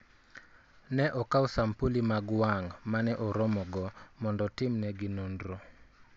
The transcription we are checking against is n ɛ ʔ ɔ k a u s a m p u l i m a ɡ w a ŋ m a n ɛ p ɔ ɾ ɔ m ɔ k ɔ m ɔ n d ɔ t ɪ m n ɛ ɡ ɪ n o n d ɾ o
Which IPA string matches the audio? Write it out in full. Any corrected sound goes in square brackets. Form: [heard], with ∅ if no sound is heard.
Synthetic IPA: n ɛ ʔ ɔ k a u s a m p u l i m a ɡ w a ŋ m a n ɛ [ʔ] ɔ ɾ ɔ m ɔ [ɡ] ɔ m ɔ n d ɔ t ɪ m n ɛ ɡ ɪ n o n d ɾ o